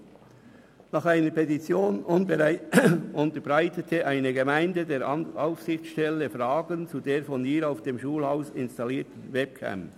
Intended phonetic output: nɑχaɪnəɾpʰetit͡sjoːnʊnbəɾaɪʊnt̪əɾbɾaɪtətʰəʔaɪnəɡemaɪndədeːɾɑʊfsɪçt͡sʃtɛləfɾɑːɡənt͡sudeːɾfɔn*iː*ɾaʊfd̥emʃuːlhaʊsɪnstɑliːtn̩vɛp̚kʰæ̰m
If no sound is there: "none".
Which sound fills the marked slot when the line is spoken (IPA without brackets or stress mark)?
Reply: iː